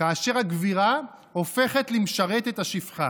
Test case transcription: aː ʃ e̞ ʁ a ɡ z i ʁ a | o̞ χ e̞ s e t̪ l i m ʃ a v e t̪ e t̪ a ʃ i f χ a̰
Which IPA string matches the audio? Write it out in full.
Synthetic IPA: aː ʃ e̞ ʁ a ɡ v i ʁ a | o̞ f e̞ χ e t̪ l i m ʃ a ʁ e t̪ e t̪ a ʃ i f χ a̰